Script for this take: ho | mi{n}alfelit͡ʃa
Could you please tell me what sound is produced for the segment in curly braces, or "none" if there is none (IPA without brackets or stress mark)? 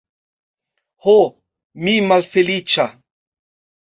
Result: m